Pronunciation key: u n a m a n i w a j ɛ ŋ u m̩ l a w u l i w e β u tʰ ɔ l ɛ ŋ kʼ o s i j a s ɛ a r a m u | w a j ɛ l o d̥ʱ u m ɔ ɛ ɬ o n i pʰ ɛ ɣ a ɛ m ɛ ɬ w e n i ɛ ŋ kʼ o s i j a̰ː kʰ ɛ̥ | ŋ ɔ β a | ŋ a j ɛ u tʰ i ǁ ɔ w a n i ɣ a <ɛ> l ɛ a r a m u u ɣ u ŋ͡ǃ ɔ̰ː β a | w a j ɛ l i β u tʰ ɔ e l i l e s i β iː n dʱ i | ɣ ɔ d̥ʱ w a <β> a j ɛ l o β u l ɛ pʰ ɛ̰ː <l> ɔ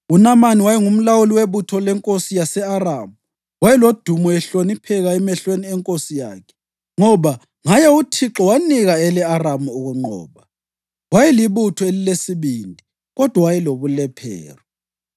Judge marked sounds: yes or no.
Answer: yes, no, no

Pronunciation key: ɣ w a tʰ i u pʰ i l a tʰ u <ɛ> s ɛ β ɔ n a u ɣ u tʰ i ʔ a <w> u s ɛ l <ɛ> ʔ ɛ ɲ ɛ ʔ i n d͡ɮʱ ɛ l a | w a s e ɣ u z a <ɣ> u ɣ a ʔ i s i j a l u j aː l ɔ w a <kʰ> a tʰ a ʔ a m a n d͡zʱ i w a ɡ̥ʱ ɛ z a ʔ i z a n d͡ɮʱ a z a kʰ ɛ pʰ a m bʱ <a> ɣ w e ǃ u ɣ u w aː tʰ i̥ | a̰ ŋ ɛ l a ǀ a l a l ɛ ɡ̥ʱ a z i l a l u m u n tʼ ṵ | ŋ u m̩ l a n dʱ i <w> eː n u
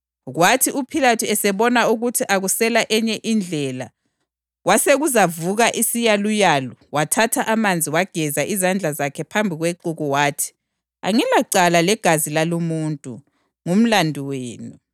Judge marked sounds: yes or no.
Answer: yes, no, no, no, no, no, yes

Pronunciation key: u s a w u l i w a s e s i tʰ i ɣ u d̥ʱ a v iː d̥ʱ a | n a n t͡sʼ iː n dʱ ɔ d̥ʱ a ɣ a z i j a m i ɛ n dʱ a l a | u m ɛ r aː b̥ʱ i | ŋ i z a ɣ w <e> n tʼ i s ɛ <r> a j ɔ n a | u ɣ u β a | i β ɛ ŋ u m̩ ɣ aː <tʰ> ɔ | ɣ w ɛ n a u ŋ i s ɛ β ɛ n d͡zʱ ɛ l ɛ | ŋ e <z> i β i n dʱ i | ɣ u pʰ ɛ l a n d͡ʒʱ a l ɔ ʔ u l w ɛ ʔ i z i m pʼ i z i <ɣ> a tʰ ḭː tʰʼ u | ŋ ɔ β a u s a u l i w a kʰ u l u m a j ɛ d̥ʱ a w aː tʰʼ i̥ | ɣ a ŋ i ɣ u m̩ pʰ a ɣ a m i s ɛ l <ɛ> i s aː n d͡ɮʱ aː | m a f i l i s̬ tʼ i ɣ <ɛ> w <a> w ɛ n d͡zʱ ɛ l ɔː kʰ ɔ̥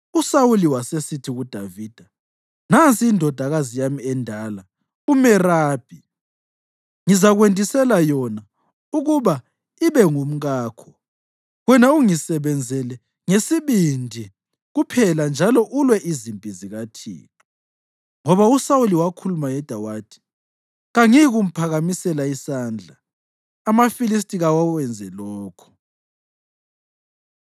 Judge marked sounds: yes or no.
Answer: yes, no, no, no, yes, no, no, yes

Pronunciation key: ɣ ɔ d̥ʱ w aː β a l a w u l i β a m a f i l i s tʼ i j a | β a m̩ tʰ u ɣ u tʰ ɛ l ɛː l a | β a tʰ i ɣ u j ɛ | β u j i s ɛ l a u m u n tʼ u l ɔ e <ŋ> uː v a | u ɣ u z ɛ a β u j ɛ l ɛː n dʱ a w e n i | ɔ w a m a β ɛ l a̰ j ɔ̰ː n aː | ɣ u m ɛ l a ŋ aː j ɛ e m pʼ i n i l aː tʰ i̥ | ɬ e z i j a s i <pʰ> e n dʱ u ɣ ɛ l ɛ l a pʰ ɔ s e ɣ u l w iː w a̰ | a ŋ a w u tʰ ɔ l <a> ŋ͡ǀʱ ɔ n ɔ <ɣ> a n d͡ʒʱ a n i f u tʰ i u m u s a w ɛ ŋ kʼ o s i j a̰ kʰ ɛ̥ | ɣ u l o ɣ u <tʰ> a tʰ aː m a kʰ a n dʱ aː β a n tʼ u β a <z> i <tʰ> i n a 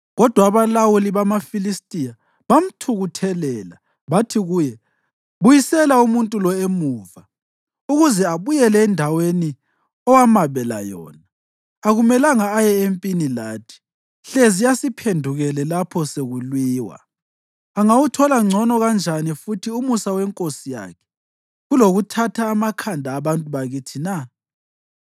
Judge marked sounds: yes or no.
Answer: no, yes, yes, yes, yes, no, yes

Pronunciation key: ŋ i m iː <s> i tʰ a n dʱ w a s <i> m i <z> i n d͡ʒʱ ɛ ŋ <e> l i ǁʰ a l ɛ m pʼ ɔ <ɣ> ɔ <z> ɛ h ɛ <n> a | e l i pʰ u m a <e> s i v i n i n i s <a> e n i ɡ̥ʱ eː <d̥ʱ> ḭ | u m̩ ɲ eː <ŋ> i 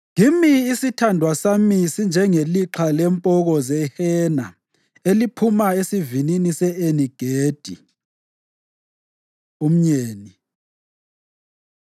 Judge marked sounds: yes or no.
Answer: yes, no, no, yes, yes, yes, yes, yes, no, yes, no

